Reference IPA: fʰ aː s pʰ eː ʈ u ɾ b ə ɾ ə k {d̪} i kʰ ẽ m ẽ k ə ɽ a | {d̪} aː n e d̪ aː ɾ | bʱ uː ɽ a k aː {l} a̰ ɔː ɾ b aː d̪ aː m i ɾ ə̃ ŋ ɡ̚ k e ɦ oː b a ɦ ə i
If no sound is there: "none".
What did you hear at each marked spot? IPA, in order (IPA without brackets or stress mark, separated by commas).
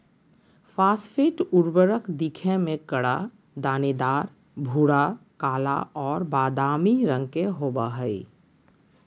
d̪, d̪, l